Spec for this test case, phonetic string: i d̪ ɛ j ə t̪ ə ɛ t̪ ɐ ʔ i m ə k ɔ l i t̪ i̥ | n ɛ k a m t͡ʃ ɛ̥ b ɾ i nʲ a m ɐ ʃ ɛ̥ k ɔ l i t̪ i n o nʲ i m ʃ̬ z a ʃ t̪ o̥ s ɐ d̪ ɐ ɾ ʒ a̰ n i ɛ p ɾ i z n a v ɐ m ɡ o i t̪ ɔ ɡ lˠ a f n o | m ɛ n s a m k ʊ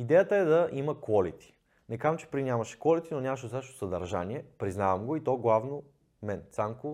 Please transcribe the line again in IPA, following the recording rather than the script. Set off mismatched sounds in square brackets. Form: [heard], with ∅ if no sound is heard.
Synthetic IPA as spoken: i d̪ ɛ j ə t̪ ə ɛ [d̪] ɐ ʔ i m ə k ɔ l i t̪ i̥ | n ɛ k a m t͡ʃ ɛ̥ [p] ɾ i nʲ a m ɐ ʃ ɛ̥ k ɔ l i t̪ i n o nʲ [a] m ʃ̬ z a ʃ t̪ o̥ s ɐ d̪ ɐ ɾ ʒ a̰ n i ɛ p ɾ i z n a v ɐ m ɡ o i t̪ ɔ ɡ lˠ a [v] n o | m ɛ n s a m k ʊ